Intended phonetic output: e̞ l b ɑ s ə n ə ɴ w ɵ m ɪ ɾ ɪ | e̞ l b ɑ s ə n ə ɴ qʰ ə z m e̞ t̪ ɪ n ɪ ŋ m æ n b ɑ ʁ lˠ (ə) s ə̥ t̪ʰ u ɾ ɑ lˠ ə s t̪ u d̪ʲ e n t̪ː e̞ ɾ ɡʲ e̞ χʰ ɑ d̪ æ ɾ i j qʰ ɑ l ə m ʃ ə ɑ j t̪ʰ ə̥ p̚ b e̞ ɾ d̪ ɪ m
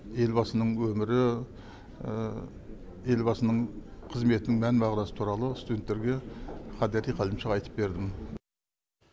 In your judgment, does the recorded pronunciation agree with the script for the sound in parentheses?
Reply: no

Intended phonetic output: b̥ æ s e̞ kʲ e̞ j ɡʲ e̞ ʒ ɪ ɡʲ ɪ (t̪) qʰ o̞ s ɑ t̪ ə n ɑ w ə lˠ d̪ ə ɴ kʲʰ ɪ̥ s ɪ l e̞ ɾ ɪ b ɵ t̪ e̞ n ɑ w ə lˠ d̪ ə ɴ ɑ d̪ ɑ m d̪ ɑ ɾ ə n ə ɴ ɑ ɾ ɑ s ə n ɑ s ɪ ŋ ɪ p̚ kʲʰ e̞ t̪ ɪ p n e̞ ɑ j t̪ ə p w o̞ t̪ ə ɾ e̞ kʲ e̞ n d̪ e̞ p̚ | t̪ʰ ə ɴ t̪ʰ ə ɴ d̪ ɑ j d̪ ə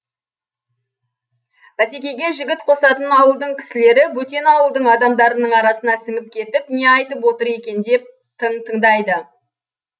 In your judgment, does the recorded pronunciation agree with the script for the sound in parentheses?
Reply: yes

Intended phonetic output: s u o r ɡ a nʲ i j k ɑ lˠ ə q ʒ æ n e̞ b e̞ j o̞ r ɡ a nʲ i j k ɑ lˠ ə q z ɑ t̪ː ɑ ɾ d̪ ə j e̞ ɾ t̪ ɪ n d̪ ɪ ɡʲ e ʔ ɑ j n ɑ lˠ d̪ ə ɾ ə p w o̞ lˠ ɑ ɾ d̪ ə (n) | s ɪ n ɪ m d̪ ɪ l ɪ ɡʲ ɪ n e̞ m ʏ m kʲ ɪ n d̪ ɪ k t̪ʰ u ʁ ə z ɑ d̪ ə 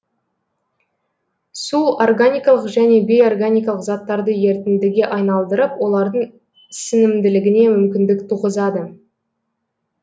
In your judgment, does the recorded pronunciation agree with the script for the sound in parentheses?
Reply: no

